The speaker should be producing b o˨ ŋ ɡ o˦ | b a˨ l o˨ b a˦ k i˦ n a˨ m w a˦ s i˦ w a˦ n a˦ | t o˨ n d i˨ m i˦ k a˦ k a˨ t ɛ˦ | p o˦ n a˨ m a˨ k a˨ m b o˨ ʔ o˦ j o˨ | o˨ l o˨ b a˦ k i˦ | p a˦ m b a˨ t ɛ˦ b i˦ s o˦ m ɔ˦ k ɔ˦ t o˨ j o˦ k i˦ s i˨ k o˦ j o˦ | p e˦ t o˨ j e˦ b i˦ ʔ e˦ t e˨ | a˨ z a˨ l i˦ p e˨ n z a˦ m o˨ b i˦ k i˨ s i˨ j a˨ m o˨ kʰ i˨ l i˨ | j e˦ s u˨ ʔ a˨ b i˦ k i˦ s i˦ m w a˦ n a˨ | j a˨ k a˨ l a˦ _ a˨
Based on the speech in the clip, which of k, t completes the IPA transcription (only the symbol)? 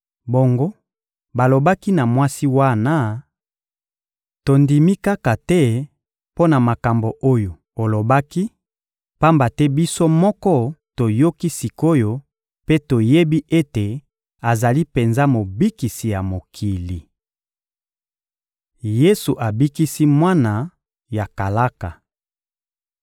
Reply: k